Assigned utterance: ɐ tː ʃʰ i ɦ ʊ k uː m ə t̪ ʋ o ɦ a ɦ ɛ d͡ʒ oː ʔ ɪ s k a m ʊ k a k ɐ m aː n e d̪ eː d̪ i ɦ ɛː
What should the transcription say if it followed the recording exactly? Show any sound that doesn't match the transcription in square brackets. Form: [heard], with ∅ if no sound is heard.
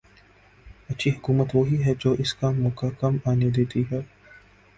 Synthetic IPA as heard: ɐ tː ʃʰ i ɦ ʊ k uː m ə t̪ ʋ o ɦ [i] ɦ ɛ d͡ʒ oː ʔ ɪ s k a m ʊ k a k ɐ m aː n e d̪ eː [t̪] i ɦ ɛː